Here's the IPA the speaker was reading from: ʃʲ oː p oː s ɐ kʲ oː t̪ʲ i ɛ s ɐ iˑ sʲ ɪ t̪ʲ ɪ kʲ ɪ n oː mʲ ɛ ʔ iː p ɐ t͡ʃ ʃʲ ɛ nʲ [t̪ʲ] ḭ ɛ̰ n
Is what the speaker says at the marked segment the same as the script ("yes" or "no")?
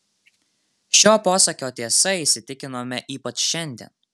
no